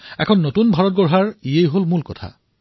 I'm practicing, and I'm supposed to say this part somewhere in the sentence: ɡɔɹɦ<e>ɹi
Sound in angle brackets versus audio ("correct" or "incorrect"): incorrect